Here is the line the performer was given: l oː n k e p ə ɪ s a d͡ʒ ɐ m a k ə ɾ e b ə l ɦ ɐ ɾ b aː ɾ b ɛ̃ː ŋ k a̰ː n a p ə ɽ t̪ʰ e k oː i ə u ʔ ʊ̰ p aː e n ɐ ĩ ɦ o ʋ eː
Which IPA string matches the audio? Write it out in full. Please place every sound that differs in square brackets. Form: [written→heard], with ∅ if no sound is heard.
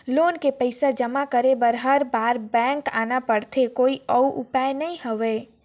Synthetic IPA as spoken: l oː n k e p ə ɪ s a d͡ʒ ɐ m a k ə ɾ e b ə [l→ɾ] ɦ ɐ ɾ b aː ɾ b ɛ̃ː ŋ k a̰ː n a p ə ɽ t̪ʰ e k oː i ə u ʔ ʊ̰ p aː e n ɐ ĩ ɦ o ʋ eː